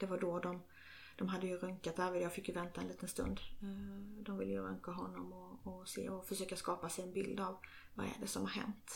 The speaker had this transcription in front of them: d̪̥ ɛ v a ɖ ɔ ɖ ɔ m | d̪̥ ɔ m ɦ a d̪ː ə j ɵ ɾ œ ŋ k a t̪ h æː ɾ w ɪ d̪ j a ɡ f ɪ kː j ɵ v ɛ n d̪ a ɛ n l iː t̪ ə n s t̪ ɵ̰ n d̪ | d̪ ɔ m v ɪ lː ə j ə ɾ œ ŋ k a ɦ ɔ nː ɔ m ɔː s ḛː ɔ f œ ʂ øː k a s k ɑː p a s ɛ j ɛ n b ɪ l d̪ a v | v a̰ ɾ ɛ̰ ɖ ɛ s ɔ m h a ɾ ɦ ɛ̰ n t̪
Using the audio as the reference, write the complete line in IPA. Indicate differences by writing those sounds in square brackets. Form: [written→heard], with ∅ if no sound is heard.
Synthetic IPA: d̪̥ ɛ v a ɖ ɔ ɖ ɔ m | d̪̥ ɔ m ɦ a d̪ː ə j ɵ ɾ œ ŋ k a t̪ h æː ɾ [w→v] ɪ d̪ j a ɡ f ɪ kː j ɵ v ɛ n [d̪→t̪] a ɛ n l iː t̪ ə n s t̪ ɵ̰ n d̪ | d̪ ɔ m v ɪ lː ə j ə ɾ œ ŋ k a ɦ ɔ nː ɔ m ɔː s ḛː ɔ f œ ʂ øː k a s k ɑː p a s ɛ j ɛ n b ɪ l d̪ a v | v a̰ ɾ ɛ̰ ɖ ɛ s ɔ m h a ɾ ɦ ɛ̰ n t̪